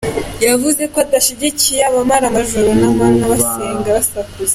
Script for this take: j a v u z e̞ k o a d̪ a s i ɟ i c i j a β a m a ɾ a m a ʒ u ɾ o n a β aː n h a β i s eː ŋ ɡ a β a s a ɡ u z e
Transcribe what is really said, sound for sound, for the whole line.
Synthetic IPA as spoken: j a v u z e̞ k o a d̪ a ʃ i ɟ i c i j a β a m a ɾ a m a ʒ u ɾ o n a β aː n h a β a s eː ŋ ɡ a β a s a k u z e